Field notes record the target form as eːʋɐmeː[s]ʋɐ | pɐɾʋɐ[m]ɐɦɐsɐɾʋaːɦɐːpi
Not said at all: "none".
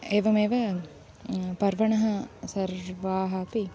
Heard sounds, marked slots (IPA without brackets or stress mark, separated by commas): none, ɳ